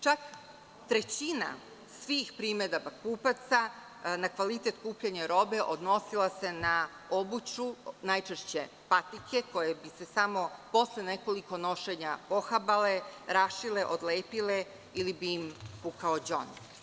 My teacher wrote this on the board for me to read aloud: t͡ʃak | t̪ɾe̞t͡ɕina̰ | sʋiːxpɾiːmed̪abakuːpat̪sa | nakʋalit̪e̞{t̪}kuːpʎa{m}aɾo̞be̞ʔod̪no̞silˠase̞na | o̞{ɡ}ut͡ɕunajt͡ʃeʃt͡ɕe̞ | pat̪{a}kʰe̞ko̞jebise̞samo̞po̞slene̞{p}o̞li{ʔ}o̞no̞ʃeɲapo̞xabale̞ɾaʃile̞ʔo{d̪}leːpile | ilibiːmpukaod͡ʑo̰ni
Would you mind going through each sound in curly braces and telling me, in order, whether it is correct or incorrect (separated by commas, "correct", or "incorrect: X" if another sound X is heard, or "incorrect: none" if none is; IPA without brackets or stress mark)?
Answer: correct, incorrect: ɲ, incorrect: b, incorrect: i, incorrect: k, incorrect: k, correct